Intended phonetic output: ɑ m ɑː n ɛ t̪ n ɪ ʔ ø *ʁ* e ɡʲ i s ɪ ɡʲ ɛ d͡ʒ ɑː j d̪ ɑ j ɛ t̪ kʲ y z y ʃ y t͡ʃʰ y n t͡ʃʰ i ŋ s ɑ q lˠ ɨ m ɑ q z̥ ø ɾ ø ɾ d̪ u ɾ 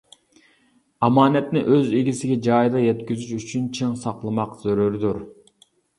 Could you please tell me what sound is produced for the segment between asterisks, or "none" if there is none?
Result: z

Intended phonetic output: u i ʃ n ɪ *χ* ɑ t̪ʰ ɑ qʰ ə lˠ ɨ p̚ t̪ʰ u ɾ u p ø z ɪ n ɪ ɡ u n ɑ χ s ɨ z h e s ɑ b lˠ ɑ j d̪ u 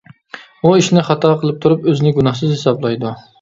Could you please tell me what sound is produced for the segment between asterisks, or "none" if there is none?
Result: χ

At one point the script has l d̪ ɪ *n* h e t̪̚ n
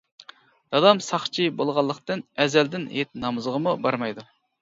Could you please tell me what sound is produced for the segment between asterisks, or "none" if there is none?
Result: n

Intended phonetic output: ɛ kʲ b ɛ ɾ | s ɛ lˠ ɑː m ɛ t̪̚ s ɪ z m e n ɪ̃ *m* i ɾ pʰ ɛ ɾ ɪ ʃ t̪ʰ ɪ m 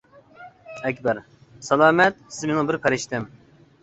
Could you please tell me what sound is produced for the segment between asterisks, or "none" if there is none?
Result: b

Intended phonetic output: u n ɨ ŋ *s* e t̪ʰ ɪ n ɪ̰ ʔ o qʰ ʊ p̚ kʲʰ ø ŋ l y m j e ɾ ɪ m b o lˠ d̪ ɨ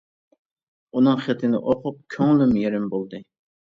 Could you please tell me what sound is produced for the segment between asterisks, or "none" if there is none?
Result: χ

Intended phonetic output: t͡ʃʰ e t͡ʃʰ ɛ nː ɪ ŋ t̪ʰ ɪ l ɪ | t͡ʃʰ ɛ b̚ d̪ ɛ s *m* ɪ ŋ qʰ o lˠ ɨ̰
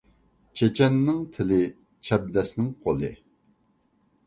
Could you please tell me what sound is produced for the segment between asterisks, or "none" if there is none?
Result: n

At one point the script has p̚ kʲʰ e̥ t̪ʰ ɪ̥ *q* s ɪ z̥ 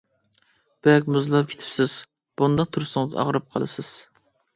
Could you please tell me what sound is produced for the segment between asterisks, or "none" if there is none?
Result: p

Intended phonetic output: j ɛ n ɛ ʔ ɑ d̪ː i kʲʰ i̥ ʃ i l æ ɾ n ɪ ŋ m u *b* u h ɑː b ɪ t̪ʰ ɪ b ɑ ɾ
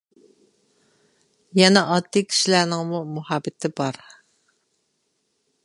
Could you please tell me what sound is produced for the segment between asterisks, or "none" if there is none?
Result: m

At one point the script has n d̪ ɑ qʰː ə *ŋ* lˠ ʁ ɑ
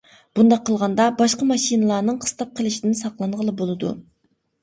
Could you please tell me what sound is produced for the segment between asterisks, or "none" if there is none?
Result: none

